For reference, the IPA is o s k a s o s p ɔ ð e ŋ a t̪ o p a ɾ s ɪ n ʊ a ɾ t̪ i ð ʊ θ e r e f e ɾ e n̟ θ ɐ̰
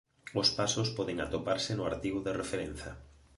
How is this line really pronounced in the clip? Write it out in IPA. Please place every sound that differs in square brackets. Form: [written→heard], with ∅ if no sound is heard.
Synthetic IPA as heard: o s [k→p] a s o s p ɔ ð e ŋ a t̪ o p a ɾ s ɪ n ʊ a ɾ t̪ i [ð→ɣ] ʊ [θ→ð] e r e f e ɾ e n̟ θ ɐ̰